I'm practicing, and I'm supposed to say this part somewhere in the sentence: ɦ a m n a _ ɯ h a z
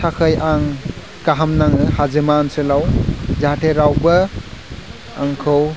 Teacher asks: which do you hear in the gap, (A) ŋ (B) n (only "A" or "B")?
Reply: A